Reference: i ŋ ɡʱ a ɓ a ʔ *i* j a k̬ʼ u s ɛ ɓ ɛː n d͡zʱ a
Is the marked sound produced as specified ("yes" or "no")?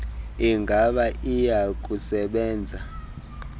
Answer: yes